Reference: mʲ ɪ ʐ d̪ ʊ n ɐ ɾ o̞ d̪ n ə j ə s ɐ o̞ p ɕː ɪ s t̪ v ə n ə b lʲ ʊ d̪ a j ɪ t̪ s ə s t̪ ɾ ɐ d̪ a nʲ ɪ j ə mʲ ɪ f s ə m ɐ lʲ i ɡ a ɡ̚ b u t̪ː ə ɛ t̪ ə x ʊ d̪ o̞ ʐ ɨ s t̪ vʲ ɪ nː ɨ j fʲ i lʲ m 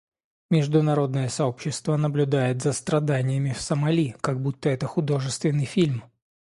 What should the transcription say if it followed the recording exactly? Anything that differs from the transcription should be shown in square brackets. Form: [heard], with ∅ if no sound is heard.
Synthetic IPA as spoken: mʲ ɪ ʐ d̪ ʊ n ɐ ɾ o̞ d̪ n ə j ə s ɐ o̞ p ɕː ɪ s t̪ v ə n ə b lʲ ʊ d̪ a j ɪ t̪ [z] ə s t̪ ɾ ɐ d̪ a nʲ ɪ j ə mʲ ɪ f s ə m ɐ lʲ i [k] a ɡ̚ b u t̪ː ə ɛ t̪ ə x ʊ d̪ o̞ ʐ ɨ s t̪ vʲ ɪ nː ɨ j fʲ i lʲ m